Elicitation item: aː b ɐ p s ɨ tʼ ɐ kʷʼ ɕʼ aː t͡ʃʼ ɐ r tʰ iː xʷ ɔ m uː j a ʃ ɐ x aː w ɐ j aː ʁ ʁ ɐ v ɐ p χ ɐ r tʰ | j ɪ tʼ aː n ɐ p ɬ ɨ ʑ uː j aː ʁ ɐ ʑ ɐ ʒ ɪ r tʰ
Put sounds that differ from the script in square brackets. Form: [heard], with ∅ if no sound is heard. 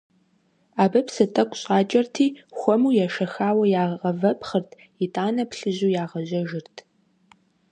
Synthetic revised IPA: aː b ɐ p s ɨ tʼ ɐ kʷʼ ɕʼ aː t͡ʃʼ ɐ r tʰ iː xʷ ɔ m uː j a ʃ ɐ x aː w ɐ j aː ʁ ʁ ɐ v ɐ p χ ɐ r tʰ | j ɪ tʼ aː n ɐ p ɬ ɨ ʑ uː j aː ʁ ɐ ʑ ɐ ʒ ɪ r tʰ